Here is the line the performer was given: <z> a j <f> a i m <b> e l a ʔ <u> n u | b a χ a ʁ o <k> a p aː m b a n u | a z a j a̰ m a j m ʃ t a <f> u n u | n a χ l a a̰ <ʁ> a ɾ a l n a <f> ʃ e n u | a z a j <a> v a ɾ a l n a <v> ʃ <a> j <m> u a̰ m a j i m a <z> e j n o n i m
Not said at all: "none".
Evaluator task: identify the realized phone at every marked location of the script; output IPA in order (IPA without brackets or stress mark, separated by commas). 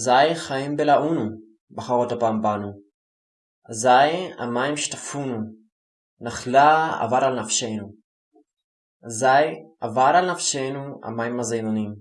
z, χ, b, u, t, f, v, f, a, f, e, n, z